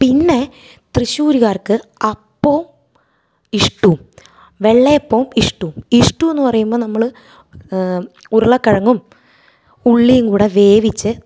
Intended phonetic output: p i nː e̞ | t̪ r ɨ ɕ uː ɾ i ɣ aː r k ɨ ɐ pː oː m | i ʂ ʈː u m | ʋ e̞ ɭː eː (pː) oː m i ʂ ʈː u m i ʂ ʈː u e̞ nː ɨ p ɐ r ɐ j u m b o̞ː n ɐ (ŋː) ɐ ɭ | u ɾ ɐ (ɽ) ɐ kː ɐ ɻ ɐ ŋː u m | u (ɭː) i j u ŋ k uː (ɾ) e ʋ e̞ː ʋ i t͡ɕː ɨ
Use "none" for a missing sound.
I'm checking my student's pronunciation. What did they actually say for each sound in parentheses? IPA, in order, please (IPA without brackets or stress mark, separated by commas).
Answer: pː, mː, ɭ, ɭː, ɽ